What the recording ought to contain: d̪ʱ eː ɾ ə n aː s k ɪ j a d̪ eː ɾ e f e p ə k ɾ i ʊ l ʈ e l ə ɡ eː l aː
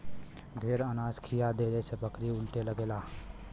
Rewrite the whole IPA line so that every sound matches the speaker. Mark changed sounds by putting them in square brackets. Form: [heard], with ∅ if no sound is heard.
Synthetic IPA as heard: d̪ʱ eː ɾ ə n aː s [kʰ] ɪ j a d̪ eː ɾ e [s] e p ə k ɾ i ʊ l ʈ e l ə ɡ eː l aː

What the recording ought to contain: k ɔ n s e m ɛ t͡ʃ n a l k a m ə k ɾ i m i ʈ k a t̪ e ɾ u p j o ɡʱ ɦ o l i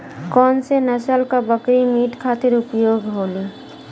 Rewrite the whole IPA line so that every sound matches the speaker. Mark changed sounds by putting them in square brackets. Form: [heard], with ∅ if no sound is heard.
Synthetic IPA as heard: k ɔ n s e [n] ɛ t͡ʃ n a l k a [b] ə k ɾ i m i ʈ [kʰ] a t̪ e ɾ u p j o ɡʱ ɦ o l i

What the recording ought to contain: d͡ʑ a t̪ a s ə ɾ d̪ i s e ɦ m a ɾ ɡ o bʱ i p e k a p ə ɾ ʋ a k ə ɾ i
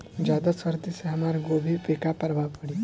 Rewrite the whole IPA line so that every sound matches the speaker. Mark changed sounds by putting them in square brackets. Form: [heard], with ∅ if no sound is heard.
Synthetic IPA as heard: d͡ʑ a [d̪] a s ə ɾ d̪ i s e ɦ m a ɾ ɡ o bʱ i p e k a p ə ɾ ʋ a [p] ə [ɽ] i

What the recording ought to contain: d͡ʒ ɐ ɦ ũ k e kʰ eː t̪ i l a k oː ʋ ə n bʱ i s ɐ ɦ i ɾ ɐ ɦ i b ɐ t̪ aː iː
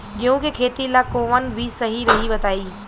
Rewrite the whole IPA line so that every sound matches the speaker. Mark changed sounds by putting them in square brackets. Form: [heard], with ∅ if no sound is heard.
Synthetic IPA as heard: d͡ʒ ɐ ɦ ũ k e kʰ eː t̪ i l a k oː ʋ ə n bʱ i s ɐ ɦ i ɾ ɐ ɦ i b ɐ t̪ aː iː

